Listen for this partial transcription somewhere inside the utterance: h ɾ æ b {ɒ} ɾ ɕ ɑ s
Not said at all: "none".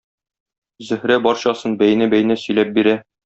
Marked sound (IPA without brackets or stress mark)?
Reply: ɒ